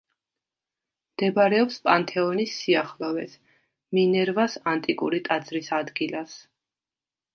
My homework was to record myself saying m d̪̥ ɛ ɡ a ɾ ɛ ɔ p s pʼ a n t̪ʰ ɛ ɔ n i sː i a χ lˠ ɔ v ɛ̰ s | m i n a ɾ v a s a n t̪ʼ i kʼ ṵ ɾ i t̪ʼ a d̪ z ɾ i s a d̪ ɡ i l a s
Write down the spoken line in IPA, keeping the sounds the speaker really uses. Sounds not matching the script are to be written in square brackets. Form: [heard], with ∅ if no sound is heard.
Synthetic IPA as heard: m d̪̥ ɛ [b] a ɾ ɛ ɔ p s pʼ a n t̪ʰ ɛ ɔ n i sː i a χ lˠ ɔ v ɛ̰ s | m i n [ɛ] ɾ v a s a n t̪ʼ i kʼ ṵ ɾ i t̪ʼ a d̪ z ɾ i s a d̪ ɡ i l a s